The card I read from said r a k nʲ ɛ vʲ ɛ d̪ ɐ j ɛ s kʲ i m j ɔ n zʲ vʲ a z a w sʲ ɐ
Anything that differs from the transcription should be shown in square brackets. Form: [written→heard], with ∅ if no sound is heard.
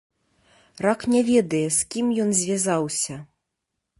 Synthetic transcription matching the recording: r a k nʲ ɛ vʲ ɛ d̪ ɐ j ɛ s kʲ i m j ɔ n zʲ vʲ a z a w sʲ ɐ